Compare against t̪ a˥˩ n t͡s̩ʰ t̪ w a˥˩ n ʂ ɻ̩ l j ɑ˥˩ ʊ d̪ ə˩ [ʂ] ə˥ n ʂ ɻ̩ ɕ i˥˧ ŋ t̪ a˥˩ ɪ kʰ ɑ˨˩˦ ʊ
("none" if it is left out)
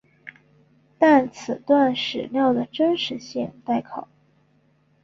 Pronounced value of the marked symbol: ʈ͡ʂ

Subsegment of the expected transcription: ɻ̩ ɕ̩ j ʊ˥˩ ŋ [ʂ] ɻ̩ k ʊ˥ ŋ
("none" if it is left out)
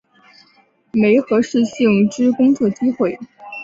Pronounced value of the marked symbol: ʈ͡ʂ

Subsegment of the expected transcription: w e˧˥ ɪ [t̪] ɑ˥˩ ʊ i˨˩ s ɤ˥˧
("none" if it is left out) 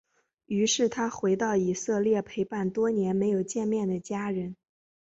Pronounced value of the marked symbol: t̪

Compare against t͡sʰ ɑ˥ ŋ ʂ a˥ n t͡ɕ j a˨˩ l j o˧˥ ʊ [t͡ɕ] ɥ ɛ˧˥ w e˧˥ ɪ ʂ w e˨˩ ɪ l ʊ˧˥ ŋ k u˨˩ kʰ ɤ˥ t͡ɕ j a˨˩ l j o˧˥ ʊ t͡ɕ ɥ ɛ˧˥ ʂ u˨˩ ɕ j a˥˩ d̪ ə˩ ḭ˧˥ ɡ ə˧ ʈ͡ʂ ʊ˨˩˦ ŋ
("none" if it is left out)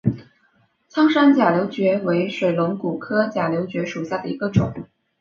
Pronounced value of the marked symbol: t͡ɕ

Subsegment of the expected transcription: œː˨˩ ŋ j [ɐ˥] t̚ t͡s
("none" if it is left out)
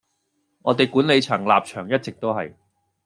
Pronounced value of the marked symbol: ɐ˥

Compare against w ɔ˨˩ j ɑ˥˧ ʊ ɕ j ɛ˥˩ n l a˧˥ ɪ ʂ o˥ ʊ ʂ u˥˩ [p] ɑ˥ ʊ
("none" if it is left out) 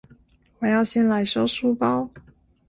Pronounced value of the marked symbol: p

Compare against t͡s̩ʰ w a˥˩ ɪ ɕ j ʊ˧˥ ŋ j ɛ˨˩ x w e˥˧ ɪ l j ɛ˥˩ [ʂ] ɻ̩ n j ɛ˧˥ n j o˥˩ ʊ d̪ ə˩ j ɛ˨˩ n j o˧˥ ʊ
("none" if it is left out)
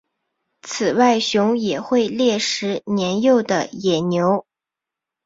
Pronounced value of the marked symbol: ʂ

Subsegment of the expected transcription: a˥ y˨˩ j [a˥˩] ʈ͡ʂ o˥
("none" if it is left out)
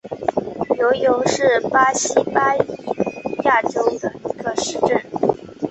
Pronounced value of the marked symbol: a˥˩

